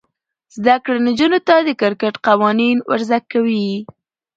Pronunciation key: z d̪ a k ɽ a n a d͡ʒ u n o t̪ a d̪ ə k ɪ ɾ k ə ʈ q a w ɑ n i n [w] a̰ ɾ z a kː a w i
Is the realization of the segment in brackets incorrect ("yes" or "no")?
no